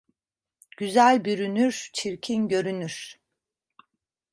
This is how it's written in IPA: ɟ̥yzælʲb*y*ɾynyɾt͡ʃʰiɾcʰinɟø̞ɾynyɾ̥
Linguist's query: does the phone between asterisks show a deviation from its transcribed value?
no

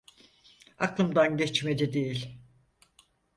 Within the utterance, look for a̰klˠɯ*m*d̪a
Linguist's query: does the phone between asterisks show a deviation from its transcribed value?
no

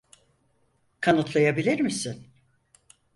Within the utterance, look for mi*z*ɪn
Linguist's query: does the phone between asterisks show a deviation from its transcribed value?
yes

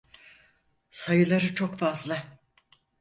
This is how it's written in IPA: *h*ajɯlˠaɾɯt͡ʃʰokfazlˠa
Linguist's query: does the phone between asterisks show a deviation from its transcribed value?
yes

